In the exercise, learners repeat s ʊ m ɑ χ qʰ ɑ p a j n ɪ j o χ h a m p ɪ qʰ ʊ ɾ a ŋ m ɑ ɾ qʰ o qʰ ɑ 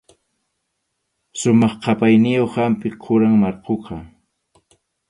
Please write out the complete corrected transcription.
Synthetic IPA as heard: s ʊ m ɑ χ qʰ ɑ p a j n ɪ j o χ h a m p ɪ qʰ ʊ ɾ a ŋ m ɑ ɾ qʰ o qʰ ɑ